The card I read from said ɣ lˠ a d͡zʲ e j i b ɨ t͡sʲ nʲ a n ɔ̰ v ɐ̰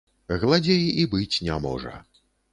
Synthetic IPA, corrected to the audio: ɣ lˠ a d͡zʲ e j i b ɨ t͡sʲ nʲ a m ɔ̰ ʐ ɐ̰